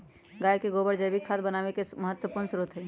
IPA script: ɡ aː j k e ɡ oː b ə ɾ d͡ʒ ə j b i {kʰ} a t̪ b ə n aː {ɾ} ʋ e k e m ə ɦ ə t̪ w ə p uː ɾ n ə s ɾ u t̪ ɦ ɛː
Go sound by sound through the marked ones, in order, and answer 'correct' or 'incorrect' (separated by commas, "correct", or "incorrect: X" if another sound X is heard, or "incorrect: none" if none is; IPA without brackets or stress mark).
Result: correct, incorrect: none